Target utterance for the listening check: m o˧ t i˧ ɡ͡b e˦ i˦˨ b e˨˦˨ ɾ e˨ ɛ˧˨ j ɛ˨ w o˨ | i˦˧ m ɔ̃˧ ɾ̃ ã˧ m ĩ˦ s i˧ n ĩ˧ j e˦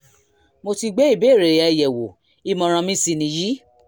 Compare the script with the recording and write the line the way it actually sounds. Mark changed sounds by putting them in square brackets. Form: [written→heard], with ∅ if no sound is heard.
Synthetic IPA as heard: m o˧ t i˧ ɡ͡b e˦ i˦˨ b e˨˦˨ ɾ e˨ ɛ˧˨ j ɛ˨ w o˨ | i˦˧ m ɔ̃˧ ɾ̃ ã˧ m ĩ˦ s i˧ n ĩ˧ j [e˦→i˦]